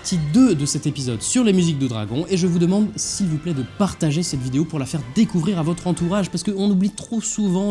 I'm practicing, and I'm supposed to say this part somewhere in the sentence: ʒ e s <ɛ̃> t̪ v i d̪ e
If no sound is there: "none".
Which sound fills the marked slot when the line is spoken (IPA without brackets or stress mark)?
ɛ